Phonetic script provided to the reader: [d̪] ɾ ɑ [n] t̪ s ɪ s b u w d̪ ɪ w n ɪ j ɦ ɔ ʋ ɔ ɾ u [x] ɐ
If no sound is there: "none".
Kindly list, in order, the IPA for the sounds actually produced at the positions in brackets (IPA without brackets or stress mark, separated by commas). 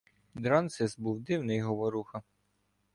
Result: d̪, n, x